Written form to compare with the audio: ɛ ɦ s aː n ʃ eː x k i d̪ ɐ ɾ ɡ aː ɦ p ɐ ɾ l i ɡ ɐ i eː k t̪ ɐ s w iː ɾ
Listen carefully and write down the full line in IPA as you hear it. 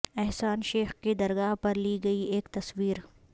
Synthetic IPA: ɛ ɦ s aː n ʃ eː x k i d̪ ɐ ɾ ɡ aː ɦ p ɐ ɾ l i ɡ ɐ i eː k t̪ ɐ s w iː ɾ

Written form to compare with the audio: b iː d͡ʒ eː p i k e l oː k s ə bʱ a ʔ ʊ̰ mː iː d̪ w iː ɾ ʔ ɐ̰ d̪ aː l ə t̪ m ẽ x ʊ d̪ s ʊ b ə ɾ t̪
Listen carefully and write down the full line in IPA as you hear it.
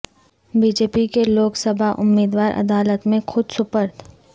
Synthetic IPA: b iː d͡ʒ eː p i k e l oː k s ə bʱ a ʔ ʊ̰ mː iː d̪ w aː ɾ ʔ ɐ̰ d̪ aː l ə t̪ m ẽ x ʊ d̪ s ʊ p ə ɾ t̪

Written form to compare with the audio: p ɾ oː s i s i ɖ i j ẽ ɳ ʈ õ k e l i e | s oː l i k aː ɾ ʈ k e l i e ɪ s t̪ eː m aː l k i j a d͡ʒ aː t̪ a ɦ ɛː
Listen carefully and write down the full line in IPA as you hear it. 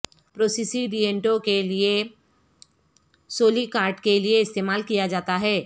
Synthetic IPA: p ɾ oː s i s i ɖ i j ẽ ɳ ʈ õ k e l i e | s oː l i k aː ɾ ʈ k e l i e ɪ s t̪ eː m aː l k i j a d͡ʒ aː t̪ a ɦ ɛː

